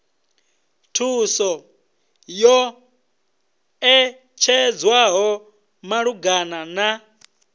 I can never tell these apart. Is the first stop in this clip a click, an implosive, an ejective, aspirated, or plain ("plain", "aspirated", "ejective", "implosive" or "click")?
aspirated